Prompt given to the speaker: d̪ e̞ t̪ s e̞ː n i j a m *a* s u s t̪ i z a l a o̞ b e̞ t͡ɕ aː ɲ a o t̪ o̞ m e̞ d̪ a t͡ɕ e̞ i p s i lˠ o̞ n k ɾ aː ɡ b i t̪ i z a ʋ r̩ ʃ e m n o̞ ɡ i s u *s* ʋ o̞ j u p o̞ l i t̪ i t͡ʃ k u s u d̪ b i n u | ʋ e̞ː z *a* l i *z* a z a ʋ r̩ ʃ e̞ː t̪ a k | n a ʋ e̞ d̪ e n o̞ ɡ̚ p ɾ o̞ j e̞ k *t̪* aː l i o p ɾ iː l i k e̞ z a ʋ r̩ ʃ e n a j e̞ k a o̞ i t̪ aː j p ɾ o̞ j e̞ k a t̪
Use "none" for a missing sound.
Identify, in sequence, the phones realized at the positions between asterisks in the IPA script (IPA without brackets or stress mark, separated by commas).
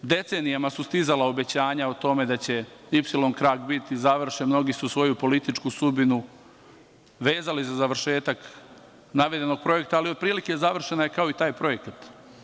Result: a, s, a, z, t̪